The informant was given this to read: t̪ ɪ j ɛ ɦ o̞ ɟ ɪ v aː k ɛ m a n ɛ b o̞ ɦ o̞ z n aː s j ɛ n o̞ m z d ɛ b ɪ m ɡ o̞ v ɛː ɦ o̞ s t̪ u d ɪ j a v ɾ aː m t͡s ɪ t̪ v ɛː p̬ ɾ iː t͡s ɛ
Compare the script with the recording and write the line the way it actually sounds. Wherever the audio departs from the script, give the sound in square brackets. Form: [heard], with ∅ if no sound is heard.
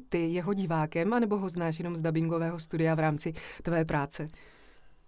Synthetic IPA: t̪ ɪ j ɛ ɦ o̞ ɟ ɪ v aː k ɛ m a n ɛ b o̞ ɦ o̞ z n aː [ʃ] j ɛ n o̞ m z d [a] b ɪ [ŋ] ɡ o̞ v ɛː ɦ o̞ s t̪ u d ɪ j a v ɾ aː m t͡s ɪ t̪ v ɛː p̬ ɾ [aː] t͡s ɛ